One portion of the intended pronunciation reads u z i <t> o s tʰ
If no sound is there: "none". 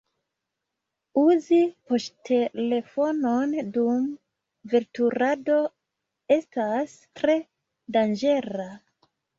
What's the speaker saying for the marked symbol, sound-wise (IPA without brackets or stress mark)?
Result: p